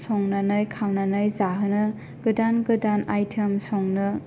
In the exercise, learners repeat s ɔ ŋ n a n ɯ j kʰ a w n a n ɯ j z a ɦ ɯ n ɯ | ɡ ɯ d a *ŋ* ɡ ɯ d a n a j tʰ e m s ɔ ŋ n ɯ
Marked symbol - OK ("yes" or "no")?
no